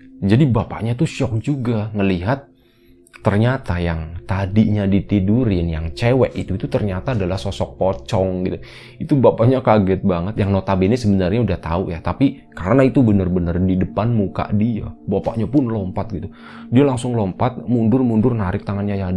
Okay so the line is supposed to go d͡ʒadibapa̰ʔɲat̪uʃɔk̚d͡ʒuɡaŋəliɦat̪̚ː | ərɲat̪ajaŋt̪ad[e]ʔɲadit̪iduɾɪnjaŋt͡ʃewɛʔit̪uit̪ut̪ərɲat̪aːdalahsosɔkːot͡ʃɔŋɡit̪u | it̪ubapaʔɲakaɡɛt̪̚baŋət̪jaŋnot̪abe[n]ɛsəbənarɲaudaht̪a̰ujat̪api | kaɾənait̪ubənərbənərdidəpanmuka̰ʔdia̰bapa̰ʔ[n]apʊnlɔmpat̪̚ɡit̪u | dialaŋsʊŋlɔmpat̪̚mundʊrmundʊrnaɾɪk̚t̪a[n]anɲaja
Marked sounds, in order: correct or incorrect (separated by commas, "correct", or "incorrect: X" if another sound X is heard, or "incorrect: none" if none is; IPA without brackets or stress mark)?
incorrect: i, correct, incorrect: ɲ, incorrect: ŋ